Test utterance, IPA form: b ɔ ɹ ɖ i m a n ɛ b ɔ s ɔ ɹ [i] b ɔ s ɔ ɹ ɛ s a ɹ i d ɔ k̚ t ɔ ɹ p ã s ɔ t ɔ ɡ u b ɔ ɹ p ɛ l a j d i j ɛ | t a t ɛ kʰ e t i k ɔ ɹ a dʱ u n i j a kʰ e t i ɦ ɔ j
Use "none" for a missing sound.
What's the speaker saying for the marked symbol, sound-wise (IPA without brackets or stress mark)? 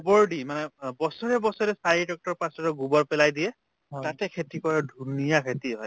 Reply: ɛ